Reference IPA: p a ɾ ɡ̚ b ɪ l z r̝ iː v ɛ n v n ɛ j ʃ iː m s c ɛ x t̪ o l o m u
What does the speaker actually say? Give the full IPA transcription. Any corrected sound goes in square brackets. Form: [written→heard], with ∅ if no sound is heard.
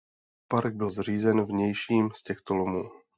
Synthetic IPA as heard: p a ɾ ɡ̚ b ɪ l z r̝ iː [v→z] ɛ n v [n→ɲ] ɛ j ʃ iː m s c ɛ x t̪ o l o m [u→uː]